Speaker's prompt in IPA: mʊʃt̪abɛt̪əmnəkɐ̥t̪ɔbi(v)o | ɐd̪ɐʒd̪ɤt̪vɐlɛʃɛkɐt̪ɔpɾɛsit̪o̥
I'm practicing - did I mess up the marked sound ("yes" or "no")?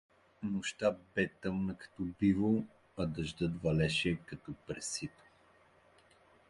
no